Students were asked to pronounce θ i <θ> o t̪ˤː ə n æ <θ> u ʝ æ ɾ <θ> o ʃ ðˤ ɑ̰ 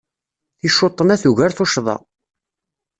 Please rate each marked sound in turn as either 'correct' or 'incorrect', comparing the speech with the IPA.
incorrect: ʃ, correct, correct

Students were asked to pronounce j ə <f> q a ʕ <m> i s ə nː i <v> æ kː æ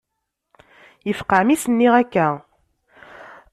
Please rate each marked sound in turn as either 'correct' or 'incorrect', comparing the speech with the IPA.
correct, correct, incorrect: ʁ

